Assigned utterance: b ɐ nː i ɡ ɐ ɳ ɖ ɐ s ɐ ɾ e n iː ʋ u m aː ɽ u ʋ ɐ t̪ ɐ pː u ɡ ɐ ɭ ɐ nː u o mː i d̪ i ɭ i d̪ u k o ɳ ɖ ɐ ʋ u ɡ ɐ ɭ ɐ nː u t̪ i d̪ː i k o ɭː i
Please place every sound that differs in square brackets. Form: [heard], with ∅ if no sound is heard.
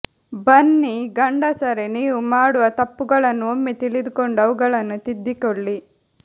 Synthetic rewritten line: b ɐ nː i ɡ ɐ ɳ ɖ ɐ s ɐ ɾ e n iː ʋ u m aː ɽ u ʋ ɐ t̪ ɐ pː u ɡ ɐ ɭ ɐ nː u o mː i [t̪] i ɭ i d̪ u k o ɳ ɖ ɐ ʋ u ɡ ɐ ɭ ɐ nː u t̪ i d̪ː i k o ɭː i